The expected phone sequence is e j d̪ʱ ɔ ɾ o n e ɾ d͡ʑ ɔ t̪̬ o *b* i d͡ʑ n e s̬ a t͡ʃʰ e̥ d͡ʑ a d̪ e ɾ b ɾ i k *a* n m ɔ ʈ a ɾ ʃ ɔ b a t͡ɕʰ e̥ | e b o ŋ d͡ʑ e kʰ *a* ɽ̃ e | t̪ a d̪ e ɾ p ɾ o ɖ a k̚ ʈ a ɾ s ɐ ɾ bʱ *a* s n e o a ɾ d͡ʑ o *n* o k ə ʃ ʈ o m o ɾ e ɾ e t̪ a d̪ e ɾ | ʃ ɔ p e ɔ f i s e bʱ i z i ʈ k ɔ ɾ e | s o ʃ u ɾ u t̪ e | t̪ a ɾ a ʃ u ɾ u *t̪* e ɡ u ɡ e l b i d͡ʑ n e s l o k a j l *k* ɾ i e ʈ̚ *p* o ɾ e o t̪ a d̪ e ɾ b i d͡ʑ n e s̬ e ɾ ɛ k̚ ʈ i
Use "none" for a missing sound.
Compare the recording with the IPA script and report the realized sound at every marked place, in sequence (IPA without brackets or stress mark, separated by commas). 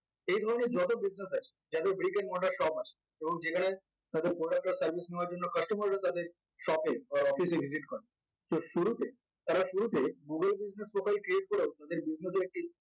b, e, a, i, nː, t̪, k, k